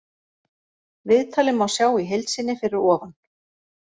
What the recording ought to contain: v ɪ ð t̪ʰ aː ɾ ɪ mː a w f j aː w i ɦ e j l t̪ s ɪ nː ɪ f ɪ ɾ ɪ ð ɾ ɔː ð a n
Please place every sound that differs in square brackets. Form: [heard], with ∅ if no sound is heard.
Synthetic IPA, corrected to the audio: v ɪ ð t̪ʰ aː [l] ɪ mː a w [s] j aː w i ɦ e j l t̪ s ɪ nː ɪ f ɪ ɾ ɪ [∅] ɾ ɔː [v] a n